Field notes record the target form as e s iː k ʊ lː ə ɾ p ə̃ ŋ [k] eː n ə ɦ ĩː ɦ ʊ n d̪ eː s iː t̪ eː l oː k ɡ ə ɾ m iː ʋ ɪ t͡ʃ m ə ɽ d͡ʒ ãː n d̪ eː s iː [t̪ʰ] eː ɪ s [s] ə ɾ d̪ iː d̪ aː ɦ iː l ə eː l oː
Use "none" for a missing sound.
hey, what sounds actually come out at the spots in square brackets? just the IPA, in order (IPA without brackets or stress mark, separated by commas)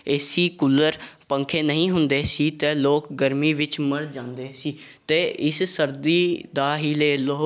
kʰ, t̪, s